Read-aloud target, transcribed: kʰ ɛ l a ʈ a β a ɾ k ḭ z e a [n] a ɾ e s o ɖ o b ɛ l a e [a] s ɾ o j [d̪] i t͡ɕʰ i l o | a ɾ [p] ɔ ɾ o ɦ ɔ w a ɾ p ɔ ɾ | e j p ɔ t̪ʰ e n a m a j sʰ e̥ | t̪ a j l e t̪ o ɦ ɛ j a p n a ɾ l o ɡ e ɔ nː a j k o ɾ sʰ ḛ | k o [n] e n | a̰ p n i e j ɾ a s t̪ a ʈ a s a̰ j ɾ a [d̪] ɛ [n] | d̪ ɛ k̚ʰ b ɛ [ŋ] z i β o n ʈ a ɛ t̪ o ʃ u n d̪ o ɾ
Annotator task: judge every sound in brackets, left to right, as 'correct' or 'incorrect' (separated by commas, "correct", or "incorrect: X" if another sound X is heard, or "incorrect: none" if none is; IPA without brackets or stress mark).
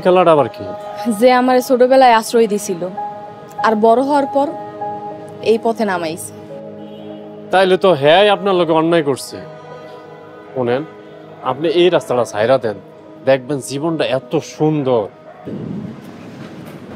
incorrect: m, correct, correct, incorrect: b, correct, correct, correct, incorrect: n